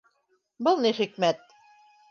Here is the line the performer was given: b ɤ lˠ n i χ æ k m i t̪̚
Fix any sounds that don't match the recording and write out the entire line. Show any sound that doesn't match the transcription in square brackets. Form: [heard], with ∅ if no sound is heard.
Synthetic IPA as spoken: b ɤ lˠ n i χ [i] k m [æ] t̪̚